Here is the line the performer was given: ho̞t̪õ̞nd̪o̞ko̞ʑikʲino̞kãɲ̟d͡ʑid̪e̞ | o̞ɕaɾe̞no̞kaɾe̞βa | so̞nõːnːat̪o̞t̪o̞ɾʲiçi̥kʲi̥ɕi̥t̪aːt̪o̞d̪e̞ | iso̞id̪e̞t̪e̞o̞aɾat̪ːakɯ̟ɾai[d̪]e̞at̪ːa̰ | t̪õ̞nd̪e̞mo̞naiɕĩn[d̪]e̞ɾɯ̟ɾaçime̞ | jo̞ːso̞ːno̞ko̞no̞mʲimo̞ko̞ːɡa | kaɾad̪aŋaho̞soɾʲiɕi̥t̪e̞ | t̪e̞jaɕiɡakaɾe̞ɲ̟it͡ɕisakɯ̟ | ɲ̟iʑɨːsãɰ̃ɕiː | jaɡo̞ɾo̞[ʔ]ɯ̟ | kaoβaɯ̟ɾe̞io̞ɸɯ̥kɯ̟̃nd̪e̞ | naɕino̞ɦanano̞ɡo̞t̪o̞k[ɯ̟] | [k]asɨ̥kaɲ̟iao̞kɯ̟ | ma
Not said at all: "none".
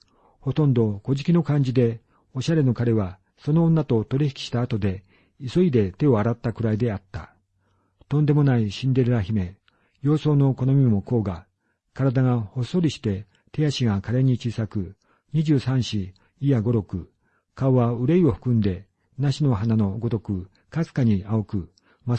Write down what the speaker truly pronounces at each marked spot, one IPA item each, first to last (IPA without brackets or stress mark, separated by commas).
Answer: d̪, d̪, k, ɯ̟, k